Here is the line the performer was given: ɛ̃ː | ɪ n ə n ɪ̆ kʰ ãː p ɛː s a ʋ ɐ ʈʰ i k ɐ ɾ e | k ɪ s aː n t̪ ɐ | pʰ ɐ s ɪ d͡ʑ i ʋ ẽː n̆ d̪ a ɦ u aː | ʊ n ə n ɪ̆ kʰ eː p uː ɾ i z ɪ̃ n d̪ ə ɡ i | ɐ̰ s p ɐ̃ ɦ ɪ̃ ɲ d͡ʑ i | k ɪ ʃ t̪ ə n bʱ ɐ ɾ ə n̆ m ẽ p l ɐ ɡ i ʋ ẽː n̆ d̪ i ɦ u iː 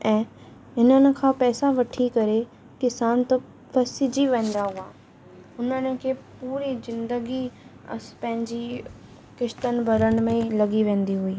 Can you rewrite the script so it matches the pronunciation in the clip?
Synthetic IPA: ɛ̃ː | ɪ n ə n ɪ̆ kʰ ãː p ɛː s a ʋ ɐ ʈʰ i k ɐ ɾ e | k ɪ s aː n t̪ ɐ | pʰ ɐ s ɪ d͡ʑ i ʋ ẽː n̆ d̪ a ɦ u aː | ʊ n ə n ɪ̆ kʰ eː p uː ɾ i z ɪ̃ n d̪ ə ɡ i | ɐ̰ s p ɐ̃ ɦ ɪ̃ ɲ d͡ʑ i | k ɪ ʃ t̪ ə n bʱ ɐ ɾ ə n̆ m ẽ l ɐ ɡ i ʋ ẽː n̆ d̪ i ɦ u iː